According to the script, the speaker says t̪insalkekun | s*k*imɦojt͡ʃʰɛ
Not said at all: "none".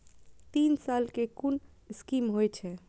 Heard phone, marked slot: k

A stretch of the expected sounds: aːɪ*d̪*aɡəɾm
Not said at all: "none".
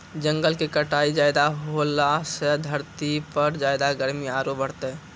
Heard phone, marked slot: d̪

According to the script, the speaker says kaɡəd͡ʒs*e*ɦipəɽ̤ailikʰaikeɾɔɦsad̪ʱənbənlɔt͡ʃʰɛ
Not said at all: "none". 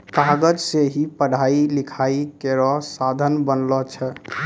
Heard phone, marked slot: e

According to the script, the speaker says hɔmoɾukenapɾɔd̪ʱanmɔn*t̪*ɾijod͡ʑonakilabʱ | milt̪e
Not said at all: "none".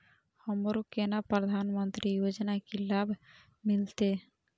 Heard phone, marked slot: t̪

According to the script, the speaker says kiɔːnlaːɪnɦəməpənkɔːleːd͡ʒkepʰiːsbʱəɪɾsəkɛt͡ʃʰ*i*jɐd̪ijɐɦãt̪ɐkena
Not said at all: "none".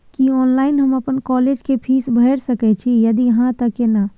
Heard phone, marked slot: i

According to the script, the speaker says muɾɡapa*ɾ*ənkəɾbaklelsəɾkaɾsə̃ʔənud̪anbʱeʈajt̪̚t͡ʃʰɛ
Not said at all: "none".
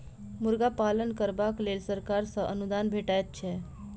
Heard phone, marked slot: l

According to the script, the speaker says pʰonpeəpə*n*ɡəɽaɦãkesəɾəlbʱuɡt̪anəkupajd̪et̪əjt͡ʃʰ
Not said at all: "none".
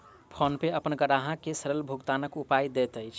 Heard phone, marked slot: n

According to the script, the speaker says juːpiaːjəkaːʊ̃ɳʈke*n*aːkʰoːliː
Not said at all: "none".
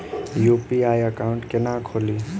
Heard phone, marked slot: n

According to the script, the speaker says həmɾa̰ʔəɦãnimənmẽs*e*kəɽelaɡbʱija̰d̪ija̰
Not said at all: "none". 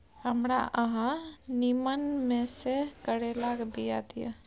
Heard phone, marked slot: e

